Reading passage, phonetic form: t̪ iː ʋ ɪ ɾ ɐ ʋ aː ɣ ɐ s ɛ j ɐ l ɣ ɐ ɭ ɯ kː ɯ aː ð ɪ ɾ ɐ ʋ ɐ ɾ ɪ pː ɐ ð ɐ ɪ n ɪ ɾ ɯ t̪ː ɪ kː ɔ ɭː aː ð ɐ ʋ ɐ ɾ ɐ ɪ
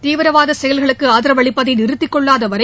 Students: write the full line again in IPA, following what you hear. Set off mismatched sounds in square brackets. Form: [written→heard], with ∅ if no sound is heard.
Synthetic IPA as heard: t̪ iː ʋ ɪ ɾ ɐ ʋ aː [ɣ→ð] ɐ s ɛ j ɐ l ɣ ɐ ɭ ɯ kː ɯ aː ð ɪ ɾ ɐ ʋ ɐ [ɾ→ɭ] ɪ pː ɐ ð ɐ ɪ n ɪ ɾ ɯ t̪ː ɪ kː ɔ ɭː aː ð ɐ ʋ ɐ ɾ ɐ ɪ